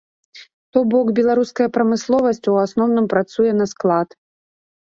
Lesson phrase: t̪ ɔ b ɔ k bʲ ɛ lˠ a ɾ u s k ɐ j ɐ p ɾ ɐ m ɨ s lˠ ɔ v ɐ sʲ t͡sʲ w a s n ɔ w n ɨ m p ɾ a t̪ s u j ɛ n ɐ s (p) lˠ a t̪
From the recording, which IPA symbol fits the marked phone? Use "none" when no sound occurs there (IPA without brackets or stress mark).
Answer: k